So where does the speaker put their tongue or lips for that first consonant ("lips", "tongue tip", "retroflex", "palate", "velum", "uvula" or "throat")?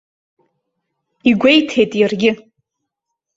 velum